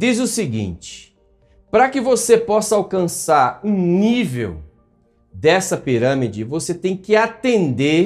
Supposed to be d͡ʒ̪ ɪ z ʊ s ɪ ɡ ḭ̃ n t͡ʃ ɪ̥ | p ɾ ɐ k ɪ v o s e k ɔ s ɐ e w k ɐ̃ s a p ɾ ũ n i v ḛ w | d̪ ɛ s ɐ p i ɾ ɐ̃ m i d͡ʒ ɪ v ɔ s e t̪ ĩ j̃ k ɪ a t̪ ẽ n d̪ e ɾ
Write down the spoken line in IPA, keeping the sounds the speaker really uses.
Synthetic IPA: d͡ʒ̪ i z ʊ s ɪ ɡ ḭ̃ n t͡ʃ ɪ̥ | p ɾ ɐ k ɪ v o s e p ɔ s ɐ a w k ɐ̃ s a ɾ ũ n i v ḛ w | d̪ ɛ s ɐ p i ɾ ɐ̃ m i d͡ʒ ɪ v o s e t̪ ẽ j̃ k ɪ a t̪ ẽ n d̪ e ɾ